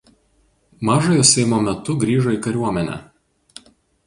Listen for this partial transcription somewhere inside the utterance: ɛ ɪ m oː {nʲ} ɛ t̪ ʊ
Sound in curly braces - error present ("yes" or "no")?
yes